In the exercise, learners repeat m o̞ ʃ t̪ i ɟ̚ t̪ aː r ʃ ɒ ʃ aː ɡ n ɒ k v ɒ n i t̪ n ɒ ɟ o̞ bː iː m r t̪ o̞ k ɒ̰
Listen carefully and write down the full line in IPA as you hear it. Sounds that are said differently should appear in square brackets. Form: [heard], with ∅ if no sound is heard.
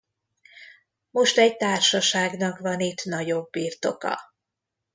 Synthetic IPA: m o̞ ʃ t̪ [ɛ] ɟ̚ t̪ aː r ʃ ɒ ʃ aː ɡ n ɒ k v ɒ n i t̪ n ɒ ɟ o̞ bː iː [∅] r t̪ o̞ k ɒ̰